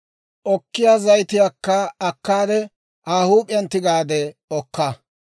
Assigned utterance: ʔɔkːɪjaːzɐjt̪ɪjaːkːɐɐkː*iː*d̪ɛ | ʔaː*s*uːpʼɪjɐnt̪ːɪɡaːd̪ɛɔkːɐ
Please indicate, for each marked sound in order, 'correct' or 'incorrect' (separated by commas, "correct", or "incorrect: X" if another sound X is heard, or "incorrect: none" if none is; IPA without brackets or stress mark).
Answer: incorrect: aː, incorrect: h